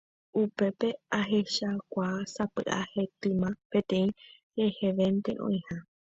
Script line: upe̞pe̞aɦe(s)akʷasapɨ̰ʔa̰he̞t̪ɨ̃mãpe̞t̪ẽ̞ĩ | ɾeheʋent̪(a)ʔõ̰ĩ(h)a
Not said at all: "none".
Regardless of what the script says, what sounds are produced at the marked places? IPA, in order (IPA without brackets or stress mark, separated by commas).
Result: ʃ, e, h